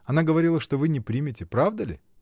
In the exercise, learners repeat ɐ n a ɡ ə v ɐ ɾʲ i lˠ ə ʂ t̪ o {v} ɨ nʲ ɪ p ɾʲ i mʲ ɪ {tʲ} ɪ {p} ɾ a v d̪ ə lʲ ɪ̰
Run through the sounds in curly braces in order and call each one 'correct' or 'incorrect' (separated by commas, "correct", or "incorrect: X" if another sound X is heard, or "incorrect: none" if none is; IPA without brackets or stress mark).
correct, correct, correct